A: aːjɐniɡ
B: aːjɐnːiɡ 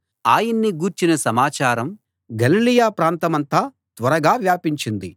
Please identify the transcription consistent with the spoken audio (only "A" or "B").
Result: B